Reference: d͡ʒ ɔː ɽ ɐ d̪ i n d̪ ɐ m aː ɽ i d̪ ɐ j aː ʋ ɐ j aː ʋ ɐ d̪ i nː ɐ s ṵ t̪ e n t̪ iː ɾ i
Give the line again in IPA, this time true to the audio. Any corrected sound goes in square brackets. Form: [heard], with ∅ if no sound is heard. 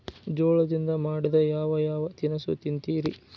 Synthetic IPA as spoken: d͡ʒ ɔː [ɭ] ɐ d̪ i n d̪ ɐ m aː ɽ i d̪ ɐ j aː ʋ ɐ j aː ʋ ɐ [t̪] i [n] ɐ s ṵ t̪ [i] n t̪ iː ɾ i